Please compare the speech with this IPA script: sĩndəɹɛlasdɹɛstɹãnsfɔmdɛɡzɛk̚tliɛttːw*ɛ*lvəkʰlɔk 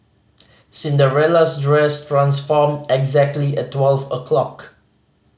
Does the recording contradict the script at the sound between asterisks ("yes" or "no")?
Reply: no